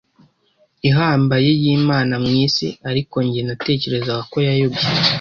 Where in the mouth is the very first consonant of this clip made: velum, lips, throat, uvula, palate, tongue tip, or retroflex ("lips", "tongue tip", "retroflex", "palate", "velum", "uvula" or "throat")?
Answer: throat